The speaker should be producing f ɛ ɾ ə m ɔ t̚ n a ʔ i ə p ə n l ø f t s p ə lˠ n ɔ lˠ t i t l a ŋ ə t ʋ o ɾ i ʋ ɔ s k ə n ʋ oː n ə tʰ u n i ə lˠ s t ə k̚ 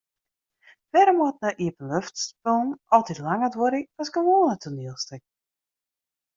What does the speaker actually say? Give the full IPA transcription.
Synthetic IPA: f ɛ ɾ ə m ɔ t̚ n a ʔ i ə p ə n l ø f t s p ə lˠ n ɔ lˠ t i t l a ŋ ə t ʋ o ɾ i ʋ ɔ s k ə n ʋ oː n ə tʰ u n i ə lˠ s t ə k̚